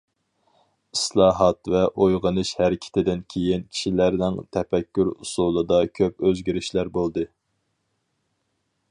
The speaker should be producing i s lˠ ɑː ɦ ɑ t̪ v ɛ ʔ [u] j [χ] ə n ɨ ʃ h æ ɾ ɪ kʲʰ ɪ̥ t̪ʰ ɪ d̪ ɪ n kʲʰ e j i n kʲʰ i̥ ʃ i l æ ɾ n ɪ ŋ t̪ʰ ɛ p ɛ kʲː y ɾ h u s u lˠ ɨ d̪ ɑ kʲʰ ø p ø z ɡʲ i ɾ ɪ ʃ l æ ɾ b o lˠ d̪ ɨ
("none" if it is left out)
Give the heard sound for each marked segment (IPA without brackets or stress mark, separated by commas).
o, ʁ